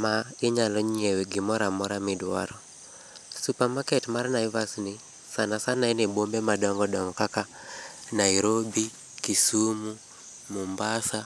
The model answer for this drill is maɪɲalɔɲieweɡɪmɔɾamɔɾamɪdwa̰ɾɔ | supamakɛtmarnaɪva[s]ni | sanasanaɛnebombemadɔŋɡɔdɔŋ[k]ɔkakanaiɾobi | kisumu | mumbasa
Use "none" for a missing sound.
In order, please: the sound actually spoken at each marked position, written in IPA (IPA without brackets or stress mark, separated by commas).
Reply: s, ɡ